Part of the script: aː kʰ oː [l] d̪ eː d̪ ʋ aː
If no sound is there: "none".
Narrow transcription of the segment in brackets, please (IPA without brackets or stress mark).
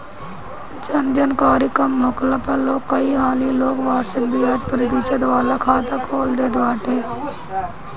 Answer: l